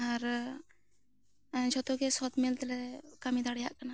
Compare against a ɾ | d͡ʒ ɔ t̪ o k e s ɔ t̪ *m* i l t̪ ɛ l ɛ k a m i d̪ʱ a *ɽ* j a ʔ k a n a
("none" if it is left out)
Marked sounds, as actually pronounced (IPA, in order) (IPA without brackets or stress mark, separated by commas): m, ɽ